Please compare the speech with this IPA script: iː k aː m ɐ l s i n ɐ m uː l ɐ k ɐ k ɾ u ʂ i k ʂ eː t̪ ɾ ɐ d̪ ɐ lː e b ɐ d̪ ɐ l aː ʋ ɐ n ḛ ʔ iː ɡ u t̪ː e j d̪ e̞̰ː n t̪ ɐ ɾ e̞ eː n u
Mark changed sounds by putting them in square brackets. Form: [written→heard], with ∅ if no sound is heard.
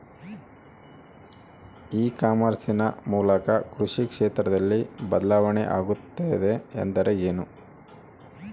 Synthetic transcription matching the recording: iː k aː m ɐ [l→ɾ] s i n ɐ m uː l ɐ k ɐ k ɾ u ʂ i k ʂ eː t̪ ɾ ɐ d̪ ɐ lː [e→i] b ɐ d̪ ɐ l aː ʋ ɐ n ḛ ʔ [iː→aː] ɡ u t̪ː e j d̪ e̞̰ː n [t̪→d̪] ɐ ɾ e̞ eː n u

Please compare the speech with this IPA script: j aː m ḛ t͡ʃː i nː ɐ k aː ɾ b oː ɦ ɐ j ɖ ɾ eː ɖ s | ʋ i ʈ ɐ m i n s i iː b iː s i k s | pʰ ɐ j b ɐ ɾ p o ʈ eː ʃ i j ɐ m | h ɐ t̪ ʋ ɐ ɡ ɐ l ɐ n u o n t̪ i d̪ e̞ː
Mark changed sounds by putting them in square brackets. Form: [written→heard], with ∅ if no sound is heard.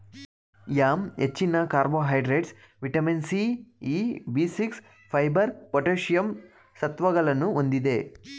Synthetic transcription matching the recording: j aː m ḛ t͡ʃː i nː ɐ k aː ɾ b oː ɦ ɐ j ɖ ɾ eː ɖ s | ʋ i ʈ ɐ m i n s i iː b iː s i k s | pʰ ɐ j b ɐ ɾ p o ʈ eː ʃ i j ɐ m | [h→s] ɐ t̪ ʋ ɐ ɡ ɐ l ɐ n u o n [t̪→d̪] i d̪ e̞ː

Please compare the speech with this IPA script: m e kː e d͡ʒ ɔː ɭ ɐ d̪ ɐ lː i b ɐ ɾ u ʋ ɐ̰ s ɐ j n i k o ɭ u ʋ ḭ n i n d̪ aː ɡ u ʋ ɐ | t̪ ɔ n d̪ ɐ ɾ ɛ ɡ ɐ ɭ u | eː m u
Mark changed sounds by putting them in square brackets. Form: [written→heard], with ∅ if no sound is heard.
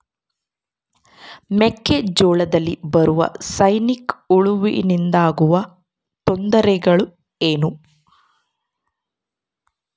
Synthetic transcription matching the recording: m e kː e d͡ʒ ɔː ɭ ɐ d̪ ɐ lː i b ɐ ɾ u ʋ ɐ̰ s ɐ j n i k [o→u] ɭ u ʋ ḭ n i n d̪ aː ɡ u ʋ ɐ | t̪ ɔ n d̪ ɐ ɾ ɛ ɡ ɐ ɭ u | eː [m→n] u

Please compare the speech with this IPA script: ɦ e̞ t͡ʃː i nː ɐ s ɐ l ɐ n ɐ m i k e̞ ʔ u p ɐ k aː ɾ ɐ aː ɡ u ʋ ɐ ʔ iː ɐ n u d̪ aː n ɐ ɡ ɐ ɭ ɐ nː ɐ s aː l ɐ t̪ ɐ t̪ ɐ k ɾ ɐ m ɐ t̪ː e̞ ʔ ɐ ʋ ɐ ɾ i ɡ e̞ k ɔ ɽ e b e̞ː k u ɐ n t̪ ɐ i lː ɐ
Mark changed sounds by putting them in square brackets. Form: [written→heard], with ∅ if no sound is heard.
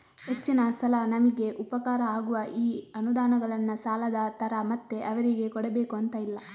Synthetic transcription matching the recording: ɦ e̞ t͡ʃː i [nː→n] ɐ s ɐ l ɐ n ɐ m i [k→ɡ] e̞ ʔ u p ɐ k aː ɾ ɐ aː ɡ u ʋ ɐ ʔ iː ɐ n u d̪ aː n ɐ ɡ ɐ ɭ ɐ nː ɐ s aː l ɐ [t̪→d̪] ɐ t̪ ɐ [k→∅] ɾ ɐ m ɐ t̪ː e̞ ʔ ɐ ʋ ɐ ɾ i ɡ e̞ k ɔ ɽ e b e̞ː k u ɐ n t̪ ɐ i lː ɐ

